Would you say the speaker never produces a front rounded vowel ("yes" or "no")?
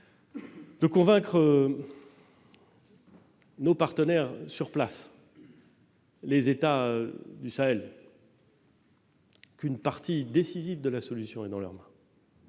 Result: no